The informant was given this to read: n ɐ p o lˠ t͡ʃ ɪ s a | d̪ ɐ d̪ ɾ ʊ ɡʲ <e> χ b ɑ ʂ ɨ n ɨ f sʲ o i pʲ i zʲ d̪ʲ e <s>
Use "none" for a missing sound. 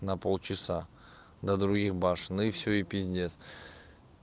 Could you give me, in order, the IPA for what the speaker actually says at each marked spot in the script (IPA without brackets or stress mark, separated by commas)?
i, s